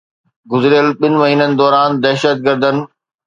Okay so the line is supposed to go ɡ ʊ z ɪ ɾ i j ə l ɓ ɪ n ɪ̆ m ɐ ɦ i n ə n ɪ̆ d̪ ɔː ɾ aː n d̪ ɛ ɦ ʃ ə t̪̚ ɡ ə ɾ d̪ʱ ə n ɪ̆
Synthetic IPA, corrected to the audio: ɡ ʊ z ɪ ɾ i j ə l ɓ ɪ n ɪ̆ m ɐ ɦ iː n ə n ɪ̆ d̪ ɔː ɾ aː n d̪ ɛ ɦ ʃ ə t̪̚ ɡ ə ɾ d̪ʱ ə n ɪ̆